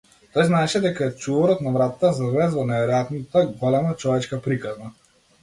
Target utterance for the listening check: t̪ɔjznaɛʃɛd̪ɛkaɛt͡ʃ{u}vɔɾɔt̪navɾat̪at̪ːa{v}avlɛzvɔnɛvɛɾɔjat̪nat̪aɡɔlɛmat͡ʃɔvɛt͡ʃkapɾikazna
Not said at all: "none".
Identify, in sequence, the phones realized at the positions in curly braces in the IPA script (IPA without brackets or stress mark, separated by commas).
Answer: u, z